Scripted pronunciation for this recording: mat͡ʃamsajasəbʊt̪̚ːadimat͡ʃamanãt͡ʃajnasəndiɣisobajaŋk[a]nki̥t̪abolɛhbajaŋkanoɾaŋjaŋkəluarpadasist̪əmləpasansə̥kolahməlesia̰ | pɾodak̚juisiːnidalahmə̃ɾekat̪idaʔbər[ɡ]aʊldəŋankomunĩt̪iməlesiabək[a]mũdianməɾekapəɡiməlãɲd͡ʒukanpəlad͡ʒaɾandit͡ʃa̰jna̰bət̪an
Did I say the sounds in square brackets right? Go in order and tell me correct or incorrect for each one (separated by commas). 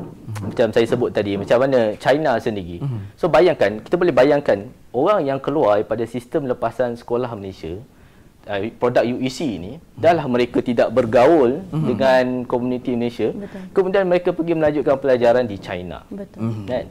correct, correct, incorrect